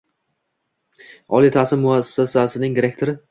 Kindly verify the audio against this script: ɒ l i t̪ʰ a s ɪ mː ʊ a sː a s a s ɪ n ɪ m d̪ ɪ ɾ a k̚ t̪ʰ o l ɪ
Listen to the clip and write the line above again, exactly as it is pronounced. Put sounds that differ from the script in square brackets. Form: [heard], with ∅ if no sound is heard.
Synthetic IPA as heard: ɒ l i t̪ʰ a s ɪ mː ʊ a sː a s a s ɪ n ɪ [ŋ] d̪ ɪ ɾ [e] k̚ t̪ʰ o [ɾ] ɪ

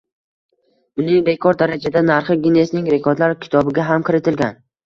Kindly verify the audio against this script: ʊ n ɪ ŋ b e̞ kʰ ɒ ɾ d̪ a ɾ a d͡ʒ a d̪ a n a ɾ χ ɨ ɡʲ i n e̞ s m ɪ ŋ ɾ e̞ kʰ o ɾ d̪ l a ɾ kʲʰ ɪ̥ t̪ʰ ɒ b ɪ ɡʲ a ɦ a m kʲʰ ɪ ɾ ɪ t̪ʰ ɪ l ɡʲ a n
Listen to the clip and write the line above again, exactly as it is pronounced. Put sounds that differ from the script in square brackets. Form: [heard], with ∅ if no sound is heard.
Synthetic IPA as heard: ʊ n ɪ ŋ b e̞ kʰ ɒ ɾ d̪ a ɾ a d͡ʒ a d̪ a n a ɾ χ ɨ ɡʲ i n e̞ s [n] ɪ ŋ ɾ e̞ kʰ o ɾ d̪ l a ɾ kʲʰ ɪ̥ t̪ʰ ɒ b ɪ ɡʲ a ɦ a m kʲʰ ɪ ɾ ɪ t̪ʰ ɪ l ɡʲ a n

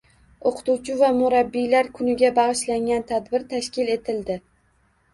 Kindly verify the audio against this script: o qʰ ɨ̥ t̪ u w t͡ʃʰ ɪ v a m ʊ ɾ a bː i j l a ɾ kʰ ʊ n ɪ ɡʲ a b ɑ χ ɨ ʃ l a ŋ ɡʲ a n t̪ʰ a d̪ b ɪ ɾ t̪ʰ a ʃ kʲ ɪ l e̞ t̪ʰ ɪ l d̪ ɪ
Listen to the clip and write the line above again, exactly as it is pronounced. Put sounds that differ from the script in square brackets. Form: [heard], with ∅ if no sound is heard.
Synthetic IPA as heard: o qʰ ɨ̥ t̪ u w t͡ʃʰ ɪ v a m ʊ ɾ a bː i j l a ɾ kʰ ʊ n ɪ ɡʲ a b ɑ [ʁ] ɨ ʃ l a ŋ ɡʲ a n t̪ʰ a d̪ b ɪ ɾ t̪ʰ a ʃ kʲ ɪ l e̞ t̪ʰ ɪ l d̪ ɪ

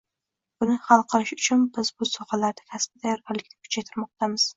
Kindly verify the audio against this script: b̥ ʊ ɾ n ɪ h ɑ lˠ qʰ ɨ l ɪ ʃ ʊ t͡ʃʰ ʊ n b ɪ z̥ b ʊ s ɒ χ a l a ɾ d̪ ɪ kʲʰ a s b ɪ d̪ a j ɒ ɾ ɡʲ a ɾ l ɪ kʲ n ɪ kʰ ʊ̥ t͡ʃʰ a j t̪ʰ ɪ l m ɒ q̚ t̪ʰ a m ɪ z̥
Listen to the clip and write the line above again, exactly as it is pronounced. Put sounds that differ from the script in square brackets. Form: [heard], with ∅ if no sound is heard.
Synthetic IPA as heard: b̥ ʊ [∅] n ɪ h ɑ lˠ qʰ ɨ l ɪ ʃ ʊ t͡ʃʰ ʊ n b ɪ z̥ b ʊ s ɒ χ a l a ɾ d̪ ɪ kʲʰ a s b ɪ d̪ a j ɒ ɾ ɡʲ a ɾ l ɪ kʲ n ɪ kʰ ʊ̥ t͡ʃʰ a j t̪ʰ ɪ [ɾ] m ɒ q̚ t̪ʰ a m ɪ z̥

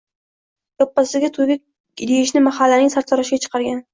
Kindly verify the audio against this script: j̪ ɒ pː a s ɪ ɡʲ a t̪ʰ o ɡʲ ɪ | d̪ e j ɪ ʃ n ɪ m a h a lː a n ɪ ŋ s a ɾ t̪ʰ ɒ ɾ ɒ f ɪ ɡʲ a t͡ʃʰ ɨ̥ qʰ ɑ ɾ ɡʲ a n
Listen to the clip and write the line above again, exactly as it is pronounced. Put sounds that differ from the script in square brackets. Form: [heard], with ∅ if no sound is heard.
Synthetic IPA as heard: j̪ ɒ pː a s ɪ ɡʲ a t̪ʰ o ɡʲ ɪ | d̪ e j ɪ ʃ n ɪ m a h a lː a n ɪ ŋ s a ɾ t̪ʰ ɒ ɾ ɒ [ʃ] ɪ ɡʲ a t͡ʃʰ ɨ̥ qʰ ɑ ɾ ɡʲ a n

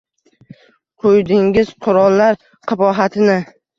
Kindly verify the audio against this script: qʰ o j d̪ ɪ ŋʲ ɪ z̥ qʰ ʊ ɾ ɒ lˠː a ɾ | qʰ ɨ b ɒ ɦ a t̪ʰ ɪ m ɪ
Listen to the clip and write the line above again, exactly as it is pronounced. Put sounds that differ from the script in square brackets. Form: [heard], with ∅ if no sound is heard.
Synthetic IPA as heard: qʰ o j d̪ ɪ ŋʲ ɪ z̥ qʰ ʊ ɾ ɒ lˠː a ɾ | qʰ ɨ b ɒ ɦ a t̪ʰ ɪ [n] ɪ

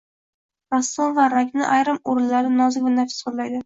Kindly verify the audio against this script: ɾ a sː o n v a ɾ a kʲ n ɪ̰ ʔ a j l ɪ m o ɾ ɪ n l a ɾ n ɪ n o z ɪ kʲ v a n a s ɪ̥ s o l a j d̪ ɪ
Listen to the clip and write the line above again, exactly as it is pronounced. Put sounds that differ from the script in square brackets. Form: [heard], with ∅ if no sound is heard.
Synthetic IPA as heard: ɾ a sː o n v a ɾ a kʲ n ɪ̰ ʔ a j [ɾ] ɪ m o ɾ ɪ n l a ɾ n ɪ n [ɒ] z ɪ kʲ v a n a [f] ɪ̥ s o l a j d̪ ɪ

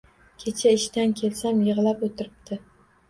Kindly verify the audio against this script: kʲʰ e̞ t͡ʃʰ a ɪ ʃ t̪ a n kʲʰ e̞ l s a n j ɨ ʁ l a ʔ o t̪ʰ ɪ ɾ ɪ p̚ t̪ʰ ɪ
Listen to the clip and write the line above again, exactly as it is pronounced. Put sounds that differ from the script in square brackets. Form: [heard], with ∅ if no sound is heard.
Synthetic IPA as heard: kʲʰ e̞ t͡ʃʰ a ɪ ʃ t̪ a n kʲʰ e̞ l s a [m] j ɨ ʁ l a [p] o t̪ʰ ɪ ɾ ɪ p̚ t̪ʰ ɪ

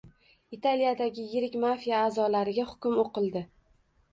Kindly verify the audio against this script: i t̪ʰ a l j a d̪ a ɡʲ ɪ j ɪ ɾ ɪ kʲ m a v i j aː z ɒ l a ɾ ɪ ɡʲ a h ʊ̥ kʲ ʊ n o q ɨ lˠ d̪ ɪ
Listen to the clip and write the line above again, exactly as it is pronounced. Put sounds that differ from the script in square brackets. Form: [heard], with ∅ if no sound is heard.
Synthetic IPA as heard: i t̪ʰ a l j a d̪ a ɡʲ ɪ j ɪ ɾ ɪ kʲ m a [f] i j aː z ɒ l a ɾ ɪ ɡʲ a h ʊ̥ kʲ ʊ [m] o q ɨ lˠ d̪ ɪ

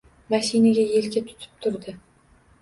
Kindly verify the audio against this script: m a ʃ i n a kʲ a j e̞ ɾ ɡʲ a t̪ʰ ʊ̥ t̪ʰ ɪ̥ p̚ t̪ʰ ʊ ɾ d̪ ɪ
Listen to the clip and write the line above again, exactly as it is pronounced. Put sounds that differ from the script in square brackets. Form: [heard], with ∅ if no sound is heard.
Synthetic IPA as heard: m a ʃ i n a [ɡʲ] a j e̞ [l] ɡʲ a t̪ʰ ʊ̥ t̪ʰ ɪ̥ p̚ t̪ʰ ʊ ɾ d̪ ɪ

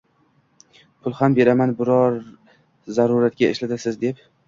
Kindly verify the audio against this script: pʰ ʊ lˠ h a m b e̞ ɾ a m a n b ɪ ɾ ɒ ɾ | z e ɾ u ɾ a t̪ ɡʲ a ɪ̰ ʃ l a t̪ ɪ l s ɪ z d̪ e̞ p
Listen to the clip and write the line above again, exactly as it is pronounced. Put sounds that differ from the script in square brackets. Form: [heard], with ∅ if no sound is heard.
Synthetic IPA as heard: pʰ ʊ lˠ h a m b e̞ ɾ a m a n b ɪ ɾ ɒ ɾ | z [a] ɾ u ɾ a t̪ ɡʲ a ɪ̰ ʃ l a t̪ ɪ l s ɪ z d̪ e̞ p

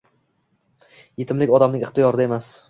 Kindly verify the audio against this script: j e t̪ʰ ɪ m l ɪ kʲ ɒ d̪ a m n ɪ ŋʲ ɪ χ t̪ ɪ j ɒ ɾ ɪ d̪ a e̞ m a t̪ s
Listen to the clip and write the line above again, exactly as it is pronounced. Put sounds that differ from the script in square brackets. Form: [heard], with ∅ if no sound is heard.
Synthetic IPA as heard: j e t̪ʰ ɪ m l ɪ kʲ ɒ d̪ a m n ɪ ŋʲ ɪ χ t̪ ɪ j ɒ ɾ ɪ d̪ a e̞ m a [∅] s

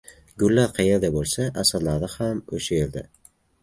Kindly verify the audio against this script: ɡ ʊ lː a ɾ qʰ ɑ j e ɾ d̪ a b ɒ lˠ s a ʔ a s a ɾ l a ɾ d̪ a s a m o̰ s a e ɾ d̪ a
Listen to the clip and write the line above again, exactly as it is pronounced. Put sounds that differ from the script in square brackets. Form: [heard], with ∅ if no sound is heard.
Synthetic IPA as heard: ɡ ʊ lː a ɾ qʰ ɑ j e ɾ d̪ a b [o] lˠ s a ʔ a s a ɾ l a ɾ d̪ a [h] a m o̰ [ʃ] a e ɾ d̪ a

